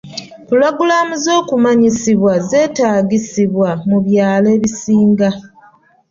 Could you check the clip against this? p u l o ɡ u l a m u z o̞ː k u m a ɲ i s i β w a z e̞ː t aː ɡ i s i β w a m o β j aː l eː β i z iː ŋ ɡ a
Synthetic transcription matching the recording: p u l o ɡ u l a m u z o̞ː k u m a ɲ i s i β w a z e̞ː t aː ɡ i s i β w a m u β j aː l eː β i s iː ŋ ɡ a